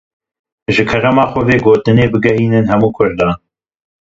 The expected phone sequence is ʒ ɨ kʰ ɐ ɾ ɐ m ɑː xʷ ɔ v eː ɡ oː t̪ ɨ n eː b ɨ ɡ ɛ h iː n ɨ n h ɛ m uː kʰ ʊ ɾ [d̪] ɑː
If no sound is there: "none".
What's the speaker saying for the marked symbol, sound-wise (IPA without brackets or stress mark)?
d̪